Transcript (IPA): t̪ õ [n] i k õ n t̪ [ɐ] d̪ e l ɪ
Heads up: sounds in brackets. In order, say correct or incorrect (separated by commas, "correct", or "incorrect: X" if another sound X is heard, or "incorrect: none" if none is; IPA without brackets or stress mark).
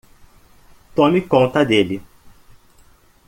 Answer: incorrect: m, correct